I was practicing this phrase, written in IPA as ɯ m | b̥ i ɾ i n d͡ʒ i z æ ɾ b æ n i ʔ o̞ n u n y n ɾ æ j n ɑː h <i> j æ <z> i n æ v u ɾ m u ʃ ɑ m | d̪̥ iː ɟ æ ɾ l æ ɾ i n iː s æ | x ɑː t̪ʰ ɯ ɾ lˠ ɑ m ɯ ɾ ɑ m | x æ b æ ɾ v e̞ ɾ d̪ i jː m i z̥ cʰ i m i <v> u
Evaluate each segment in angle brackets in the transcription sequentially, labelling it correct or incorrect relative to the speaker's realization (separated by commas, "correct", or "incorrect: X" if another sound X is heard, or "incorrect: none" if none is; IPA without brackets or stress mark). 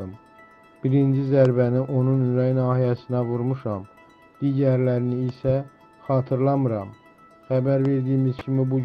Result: correct, incorrect: s, incorrect: b